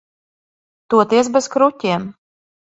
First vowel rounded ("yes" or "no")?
yes